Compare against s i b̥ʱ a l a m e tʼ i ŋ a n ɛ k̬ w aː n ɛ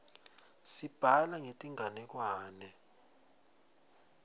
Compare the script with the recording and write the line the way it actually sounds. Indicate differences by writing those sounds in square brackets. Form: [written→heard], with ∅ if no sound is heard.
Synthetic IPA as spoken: s i b̥ʱ a l a [m→ŋ] e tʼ i ŋ a n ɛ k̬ w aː n ɛ